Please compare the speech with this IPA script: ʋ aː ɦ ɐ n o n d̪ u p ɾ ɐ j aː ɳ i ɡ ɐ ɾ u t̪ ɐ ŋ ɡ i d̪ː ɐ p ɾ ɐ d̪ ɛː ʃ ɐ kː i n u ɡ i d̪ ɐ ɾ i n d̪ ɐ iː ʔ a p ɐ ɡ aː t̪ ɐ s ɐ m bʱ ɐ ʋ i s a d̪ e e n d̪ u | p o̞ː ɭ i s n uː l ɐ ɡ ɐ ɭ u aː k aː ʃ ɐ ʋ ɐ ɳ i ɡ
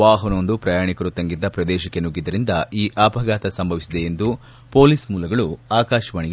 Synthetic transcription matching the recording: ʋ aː ɦ ɐ n o n d̪ u p ɾ ɐ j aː ɳ i k ɐ ɾ u t̪ ɐ ŋ ɡ i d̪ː ɐ p ɾ ɐ d̪ ɛː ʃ ɐ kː e n u ɡ i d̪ ɐ ɾ i n d̪ ɐ iː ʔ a p ɐ ɡ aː t̪ ɐ s ɐ m bʱ ɐ ʋ i s i d̪ e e n d̪ u | p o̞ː l i s m uː l ɐ ɡ ɐ ɭ u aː k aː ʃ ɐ ʋ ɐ ɳ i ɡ